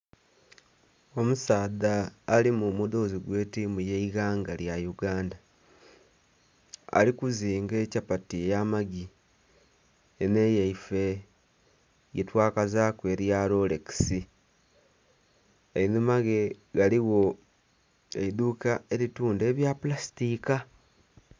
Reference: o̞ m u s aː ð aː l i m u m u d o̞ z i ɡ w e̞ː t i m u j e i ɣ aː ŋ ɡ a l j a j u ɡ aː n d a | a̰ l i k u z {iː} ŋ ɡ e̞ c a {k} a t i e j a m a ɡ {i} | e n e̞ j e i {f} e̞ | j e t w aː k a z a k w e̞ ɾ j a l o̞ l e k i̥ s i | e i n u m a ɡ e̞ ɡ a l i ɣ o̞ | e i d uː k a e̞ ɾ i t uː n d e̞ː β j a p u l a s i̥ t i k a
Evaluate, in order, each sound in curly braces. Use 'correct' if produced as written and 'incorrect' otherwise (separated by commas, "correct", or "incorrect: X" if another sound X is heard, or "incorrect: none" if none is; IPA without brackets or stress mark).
correct, incorrect: p, correct, correct